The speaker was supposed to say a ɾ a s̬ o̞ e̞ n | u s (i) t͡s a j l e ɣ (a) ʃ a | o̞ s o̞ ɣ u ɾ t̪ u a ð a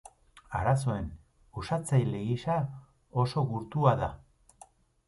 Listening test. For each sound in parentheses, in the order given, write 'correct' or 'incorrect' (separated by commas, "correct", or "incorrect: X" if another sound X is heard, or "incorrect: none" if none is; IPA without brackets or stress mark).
incorrect: a, incorrect: i